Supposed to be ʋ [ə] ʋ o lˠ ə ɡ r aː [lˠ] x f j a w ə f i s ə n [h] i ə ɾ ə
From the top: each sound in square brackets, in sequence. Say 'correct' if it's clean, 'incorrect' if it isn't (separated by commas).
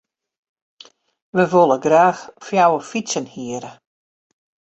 correct, incorrect, correct